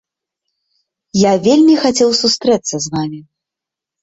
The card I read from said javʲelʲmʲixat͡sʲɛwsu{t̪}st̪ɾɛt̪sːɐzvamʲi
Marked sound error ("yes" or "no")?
yes